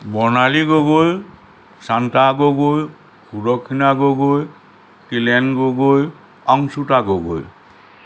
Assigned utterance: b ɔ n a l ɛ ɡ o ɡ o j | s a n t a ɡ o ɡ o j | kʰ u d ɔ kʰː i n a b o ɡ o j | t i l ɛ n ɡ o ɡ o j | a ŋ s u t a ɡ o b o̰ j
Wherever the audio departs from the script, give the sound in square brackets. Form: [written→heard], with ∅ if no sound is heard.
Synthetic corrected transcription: b ɔ n a l [ɛ→i] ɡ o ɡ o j | s a n t a ɡ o ɡ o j | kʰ u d ɔ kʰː i n a [b→ɡ] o ɡ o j | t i l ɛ n ɡ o ɡ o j | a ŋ s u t a ɡ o [b→ɡ] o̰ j

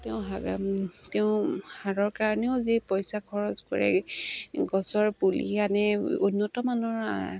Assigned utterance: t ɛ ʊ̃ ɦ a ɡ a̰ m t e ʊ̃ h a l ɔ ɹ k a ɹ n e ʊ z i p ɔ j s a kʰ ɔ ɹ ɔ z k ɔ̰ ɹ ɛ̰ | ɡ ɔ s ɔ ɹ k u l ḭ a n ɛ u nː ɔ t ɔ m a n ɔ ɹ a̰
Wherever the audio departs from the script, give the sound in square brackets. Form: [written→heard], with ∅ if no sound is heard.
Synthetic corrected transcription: t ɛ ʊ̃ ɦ a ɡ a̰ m t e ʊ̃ h a [l→ɹ] ɔ ɹ k a ɹ n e ʊ z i p ɔ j s a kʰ ɔ ɹ ɔ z k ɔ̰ ɹ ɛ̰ | ɡ ɔ s ɔ ɹ [k→p] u l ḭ a n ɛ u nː ɔ t ɔ m a n ɔ ɹ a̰

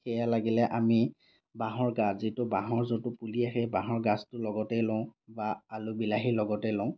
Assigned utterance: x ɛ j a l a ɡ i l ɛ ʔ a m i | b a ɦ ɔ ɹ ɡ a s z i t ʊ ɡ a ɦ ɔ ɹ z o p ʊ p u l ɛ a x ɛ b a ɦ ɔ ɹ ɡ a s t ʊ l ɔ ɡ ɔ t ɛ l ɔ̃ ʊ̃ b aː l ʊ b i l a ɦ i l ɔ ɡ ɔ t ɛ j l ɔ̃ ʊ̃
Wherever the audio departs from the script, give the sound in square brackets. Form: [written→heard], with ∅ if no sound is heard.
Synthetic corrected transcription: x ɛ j a l a ɡ i l ɛ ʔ a m i | b a ɦ ɔ ɹ ɡ a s z i t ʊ [ɡ→b] a ɦ ɔ ɹ z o [p→t] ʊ p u l [ɛ→i] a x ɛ b a ɦ ɔ ɹ ɡ a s t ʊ l ɔ ɡ ɔ t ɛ l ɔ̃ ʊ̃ b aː l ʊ b i l a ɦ i l ɔ ɡ ɔ t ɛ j l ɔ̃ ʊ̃

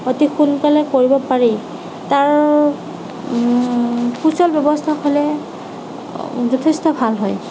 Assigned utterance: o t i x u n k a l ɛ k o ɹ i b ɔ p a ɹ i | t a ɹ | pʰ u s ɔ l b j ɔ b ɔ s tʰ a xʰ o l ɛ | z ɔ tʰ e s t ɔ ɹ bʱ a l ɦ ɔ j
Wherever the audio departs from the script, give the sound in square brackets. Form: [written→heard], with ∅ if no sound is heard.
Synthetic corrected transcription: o t i x u n k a l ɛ k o ɹ i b ɔ p a ɹ i | t a ɹ | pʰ u s ɔ l b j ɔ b ɔ s tʰ a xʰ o l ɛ | z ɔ tʰ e s t ɔ [ɹ→∅] bʱ a l ɦ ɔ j

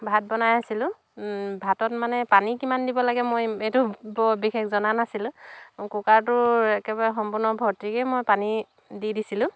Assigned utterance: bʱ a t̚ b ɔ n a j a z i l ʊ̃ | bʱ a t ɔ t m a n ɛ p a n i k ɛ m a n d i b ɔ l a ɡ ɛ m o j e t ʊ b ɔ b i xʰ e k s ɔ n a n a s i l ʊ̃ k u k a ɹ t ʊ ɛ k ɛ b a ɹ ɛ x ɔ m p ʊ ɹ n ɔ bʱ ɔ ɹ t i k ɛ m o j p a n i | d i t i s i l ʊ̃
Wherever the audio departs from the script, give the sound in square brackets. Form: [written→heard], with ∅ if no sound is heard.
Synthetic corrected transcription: bʱ a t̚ b ɔ n a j a [z→s] i l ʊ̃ | bʱ a t ɔ t m a n ɛ p a n i k [ɛ→i] m a n d i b ɔ l a ɡ ɛ m o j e t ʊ b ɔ b i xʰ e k [s→z] ɔ n a n a s i l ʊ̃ k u k a ɹ t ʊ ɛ k ɛ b a ɹ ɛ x ɔ m p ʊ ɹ n ɔ bʱ ɔ ɹ t i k ɛ m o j p a n i | d i [t→d] i s i l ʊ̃

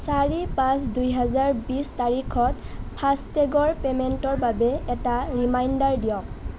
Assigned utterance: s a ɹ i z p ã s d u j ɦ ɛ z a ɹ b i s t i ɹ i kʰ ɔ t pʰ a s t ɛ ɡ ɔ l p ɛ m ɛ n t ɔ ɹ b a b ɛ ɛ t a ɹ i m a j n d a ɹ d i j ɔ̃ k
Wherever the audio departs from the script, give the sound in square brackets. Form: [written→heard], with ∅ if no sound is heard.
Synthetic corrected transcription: s a ɹ i [z→∅] p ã s d u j ɦ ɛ z a ɹ b i s t [i→a] ɹ i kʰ ɔ t pʰ a s t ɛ ɡ ɔ [l→ɹ] p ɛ m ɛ n t ɔ ɹ b a b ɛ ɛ t a ɹ i m a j n d a ɹ d i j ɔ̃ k

